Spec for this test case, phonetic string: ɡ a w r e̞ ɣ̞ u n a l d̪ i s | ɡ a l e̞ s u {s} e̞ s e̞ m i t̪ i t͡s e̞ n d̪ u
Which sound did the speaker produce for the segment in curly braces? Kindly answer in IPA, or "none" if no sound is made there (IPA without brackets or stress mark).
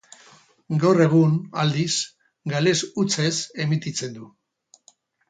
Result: t͡s